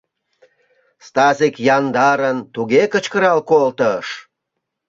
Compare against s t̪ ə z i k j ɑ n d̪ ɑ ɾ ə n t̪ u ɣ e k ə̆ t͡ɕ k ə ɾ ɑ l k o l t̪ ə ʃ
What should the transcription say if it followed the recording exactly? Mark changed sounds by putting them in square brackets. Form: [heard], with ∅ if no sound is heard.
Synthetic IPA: s t̪ [ɑ] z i k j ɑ n d̪ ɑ ɾ ə n t̪ u ɣ e k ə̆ t͡ɕ k ə ɾ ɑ l k o l t̪ ə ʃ